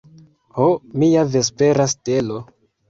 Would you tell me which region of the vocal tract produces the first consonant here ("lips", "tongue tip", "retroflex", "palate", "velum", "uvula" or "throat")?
throat